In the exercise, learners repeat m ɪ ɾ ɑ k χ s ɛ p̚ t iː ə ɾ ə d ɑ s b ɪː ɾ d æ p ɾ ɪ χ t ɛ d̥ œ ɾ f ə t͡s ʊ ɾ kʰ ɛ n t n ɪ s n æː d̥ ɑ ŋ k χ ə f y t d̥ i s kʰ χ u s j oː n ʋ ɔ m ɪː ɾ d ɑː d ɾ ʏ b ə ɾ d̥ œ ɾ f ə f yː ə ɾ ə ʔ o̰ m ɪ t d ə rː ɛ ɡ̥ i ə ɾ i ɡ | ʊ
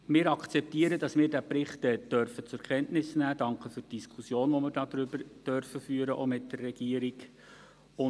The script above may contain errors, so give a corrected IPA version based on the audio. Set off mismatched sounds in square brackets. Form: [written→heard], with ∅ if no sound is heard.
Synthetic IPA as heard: m [ɪ→ɪː] ɾ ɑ k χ [s→t͡s] ɛ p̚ t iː ə ɾ ə d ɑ s [b→m] ɪː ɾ d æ p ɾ ɪ χ t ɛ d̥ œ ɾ f ə t͡s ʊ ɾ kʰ ɛ n t n ɪ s n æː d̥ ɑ ŋ k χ ə f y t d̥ i s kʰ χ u s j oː n ʋ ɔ m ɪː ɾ d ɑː d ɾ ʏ b ə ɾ d̥ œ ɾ f ə f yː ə ɾ ə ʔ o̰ m ɪ t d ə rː ɛ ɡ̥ i ə ɾ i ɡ | ʊ